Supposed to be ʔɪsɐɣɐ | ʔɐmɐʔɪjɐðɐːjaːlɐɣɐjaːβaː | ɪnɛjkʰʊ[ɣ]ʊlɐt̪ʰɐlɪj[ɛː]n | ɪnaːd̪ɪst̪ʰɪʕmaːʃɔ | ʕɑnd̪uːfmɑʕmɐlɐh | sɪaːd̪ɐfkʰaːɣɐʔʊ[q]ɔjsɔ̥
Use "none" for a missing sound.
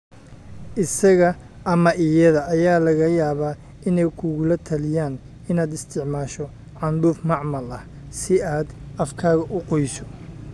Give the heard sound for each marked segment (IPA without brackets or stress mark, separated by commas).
ɣ, aː, q